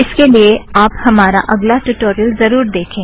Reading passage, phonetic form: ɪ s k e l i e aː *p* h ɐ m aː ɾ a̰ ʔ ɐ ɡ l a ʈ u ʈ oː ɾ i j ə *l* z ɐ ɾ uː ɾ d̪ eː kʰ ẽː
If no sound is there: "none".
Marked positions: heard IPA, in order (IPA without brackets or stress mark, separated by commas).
p, l